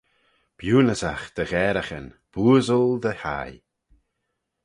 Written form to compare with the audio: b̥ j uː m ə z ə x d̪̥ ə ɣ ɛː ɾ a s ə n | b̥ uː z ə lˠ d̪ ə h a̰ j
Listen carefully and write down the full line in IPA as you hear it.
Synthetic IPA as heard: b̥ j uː n ə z a x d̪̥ ə ɣ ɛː ɾ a x ə n | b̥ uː z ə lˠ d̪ ə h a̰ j